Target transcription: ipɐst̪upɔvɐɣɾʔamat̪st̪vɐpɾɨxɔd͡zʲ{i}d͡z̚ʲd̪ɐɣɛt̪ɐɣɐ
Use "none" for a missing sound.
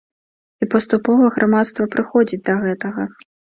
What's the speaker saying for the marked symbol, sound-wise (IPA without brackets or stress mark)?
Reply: i